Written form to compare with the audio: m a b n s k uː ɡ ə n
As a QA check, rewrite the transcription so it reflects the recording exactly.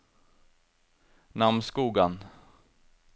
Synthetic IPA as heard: n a m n s k uː ɡ a n